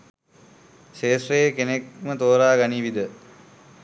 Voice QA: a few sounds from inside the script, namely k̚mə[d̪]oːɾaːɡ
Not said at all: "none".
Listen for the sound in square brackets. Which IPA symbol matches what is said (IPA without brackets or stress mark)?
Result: t̪